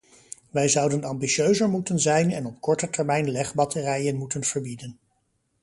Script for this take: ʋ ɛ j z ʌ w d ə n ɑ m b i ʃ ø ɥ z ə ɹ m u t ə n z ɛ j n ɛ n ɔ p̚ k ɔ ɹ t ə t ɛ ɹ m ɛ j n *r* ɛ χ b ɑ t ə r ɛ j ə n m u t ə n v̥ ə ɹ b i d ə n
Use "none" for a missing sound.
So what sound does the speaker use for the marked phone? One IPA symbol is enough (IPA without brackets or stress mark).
l